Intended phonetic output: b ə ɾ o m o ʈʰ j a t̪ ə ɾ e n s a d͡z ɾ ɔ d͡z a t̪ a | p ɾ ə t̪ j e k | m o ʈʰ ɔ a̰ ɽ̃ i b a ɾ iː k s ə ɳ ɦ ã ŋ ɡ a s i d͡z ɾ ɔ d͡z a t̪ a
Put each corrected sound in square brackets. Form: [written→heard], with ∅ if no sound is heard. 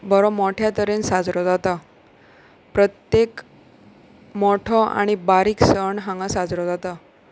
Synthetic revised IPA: b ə ɾ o m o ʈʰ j a t̪ ə ɾ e n s a d͡z ɾ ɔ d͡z a t̪ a | p ɾ ə t̪ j e k | m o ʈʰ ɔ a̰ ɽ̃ i b a ɾ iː k s ə ɳ ɦ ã ŋ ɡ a s [i→a] d͡z ɾ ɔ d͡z a t̪ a